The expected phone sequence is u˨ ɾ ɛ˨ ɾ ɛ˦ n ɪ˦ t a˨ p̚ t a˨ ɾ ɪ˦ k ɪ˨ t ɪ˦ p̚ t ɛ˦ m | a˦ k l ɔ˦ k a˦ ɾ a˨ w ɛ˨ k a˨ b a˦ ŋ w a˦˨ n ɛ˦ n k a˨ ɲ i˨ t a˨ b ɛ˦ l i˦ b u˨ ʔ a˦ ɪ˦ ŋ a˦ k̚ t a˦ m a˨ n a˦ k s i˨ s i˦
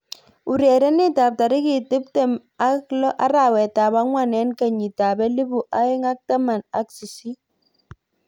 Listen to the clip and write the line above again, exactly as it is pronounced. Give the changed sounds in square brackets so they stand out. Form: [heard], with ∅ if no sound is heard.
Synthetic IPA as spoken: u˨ ɾ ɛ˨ ɾ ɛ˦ n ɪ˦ t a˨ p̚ t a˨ ɾ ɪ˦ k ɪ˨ t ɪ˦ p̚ t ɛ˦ m | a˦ k l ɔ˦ [ʔ] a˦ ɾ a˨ w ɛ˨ [t] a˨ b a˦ ŋ w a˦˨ n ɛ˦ n k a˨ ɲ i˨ t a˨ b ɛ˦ l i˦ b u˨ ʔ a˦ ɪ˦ ŋ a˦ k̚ t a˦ m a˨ n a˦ k s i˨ s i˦